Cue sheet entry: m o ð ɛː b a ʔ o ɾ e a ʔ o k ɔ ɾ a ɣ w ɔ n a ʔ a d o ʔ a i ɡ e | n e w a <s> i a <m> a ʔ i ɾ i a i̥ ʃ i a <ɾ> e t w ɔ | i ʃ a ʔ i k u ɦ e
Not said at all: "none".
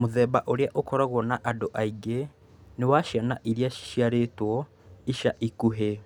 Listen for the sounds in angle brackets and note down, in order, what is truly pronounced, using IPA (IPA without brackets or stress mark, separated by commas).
ʃ, n, ɾ